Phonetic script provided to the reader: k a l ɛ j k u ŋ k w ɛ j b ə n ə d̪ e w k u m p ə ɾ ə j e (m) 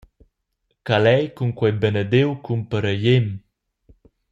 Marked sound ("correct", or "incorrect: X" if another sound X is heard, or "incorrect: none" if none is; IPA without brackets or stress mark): correct